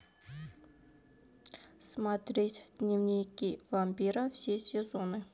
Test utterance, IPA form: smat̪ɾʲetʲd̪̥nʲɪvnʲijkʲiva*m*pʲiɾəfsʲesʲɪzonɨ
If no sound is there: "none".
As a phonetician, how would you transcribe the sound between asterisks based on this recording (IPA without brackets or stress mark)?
m